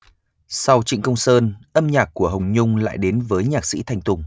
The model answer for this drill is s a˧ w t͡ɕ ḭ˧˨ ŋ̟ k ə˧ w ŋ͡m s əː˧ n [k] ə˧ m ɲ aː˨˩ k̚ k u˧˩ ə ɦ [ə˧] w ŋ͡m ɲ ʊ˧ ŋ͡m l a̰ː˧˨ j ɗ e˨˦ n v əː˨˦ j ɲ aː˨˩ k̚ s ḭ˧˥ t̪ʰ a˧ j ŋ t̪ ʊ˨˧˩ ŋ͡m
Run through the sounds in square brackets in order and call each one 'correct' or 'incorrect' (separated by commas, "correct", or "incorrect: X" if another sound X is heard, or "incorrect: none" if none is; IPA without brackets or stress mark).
incorrect: ʔ, incorrect: ə˨˩